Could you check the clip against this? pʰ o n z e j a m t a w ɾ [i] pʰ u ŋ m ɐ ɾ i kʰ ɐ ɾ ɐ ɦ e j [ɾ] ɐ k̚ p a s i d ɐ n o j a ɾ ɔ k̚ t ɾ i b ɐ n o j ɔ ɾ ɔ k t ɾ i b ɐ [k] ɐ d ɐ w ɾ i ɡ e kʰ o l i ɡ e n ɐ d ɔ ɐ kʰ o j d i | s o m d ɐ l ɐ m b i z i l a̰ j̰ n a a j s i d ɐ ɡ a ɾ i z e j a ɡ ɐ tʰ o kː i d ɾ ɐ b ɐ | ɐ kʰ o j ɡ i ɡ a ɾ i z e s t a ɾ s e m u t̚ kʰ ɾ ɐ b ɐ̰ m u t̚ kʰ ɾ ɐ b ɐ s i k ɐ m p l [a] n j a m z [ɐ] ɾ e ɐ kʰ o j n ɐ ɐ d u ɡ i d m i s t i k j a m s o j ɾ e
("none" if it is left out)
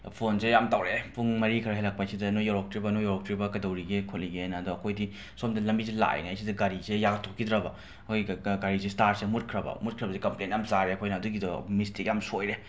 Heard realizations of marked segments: e, l, k, e, a

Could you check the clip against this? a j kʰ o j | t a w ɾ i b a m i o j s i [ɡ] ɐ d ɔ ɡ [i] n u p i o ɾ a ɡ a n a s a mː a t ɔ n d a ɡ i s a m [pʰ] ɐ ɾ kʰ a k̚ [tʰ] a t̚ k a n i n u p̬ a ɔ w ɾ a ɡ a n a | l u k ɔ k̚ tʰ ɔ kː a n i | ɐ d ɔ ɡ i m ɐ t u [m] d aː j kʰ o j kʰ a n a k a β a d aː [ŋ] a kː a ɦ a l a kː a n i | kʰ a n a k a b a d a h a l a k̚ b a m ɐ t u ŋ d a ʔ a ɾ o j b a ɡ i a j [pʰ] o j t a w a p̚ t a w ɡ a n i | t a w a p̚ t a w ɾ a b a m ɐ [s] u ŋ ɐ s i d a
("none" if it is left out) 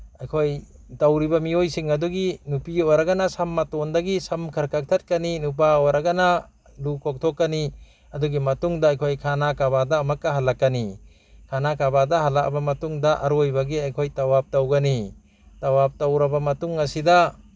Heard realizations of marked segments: ŋ, i, kʰ, tʰ, ŋ, m, kʰ, t

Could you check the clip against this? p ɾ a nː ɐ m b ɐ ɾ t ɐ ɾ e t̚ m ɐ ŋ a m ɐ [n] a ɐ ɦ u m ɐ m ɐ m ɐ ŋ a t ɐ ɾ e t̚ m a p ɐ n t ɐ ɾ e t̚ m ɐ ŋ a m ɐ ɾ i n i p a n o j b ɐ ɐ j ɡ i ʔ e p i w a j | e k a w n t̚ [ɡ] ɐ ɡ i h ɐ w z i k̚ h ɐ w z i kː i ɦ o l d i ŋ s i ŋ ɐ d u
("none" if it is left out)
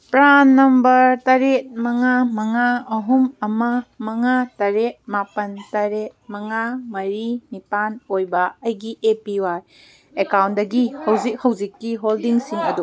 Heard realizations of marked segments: ŋ, d

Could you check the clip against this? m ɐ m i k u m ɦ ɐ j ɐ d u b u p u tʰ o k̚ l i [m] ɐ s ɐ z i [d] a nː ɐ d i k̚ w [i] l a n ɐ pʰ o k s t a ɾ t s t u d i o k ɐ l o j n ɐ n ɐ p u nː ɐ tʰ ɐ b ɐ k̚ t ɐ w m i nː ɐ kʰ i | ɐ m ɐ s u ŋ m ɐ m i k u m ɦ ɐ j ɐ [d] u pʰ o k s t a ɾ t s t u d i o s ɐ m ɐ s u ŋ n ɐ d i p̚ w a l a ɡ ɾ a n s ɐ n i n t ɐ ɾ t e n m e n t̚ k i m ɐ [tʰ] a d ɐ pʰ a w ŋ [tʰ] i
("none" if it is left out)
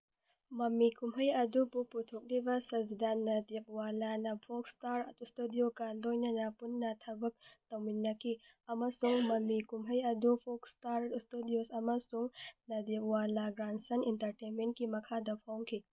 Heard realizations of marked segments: b, d, a, d, kʰ, kʰ

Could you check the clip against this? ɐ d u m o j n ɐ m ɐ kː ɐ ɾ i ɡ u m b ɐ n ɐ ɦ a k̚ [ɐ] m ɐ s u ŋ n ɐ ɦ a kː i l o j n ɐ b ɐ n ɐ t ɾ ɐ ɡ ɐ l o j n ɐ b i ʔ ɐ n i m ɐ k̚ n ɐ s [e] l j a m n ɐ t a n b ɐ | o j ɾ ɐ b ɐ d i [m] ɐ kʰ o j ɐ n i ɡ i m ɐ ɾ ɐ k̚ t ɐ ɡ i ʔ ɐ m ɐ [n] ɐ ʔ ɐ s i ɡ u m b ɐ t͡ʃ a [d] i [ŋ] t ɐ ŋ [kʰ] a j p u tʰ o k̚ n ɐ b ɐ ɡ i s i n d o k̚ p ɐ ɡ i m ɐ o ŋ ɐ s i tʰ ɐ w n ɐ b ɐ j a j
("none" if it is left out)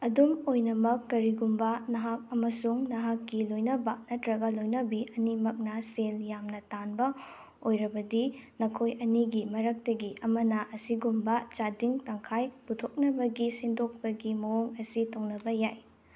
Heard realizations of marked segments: ɐ, e, n, n, d, ŋ, kʰ

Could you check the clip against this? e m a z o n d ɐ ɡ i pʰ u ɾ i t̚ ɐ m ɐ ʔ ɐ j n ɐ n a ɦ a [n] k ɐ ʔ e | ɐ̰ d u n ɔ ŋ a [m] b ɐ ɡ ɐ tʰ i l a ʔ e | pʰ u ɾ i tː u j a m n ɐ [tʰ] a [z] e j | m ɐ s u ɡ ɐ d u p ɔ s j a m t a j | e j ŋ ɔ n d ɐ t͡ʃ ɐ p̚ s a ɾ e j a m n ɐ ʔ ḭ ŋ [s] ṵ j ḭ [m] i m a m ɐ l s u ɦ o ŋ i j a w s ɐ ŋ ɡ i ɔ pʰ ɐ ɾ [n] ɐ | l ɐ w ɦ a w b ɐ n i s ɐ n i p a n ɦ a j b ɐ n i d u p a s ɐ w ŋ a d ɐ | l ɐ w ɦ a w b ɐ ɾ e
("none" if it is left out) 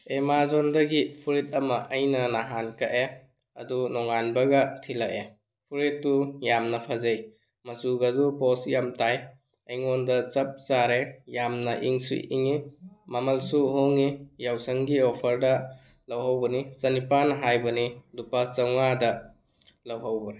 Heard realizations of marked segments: n, n, pʰ, z, s, ŋ, d

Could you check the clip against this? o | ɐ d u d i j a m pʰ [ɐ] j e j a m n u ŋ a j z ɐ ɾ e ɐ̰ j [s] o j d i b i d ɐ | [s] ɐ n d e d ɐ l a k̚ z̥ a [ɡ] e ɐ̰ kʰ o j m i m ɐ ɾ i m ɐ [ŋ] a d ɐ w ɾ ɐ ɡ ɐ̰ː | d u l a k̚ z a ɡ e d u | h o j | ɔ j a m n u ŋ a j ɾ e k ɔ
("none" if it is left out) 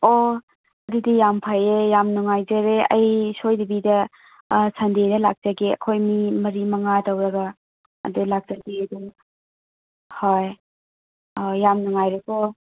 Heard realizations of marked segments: a, s, s, ɡ, ŋ

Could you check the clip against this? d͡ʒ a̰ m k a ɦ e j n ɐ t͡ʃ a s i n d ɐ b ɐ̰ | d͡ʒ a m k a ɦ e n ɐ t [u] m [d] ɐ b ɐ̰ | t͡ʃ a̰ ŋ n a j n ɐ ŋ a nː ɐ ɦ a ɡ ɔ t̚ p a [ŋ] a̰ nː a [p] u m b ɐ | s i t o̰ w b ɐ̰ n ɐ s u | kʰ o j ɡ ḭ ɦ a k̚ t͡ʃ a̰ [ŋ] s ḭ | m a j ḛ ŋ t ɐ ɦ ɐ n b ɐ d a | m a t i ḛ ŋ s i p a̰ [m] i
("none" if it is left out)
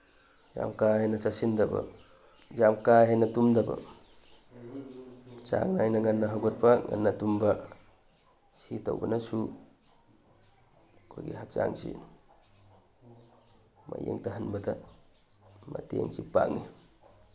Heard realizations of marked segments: u, d, ŋ, t, ŋ, ŋ

